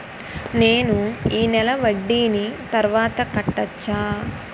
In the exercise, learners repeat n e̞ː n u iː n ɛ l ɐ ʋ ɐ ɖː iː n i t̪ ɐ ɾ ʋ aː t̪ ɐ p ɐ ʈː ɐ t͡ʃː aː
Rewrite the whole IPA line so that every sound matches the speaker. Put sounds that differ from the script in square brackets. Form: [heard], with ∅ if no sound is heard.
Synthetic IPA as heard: n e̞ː n u iː n ɛ l ɐ ʋ ɐ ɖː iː n i t̪ ɐ ɾ ʋ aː t̪ ɐ [k] ɐ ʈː ɐ t͡ʃː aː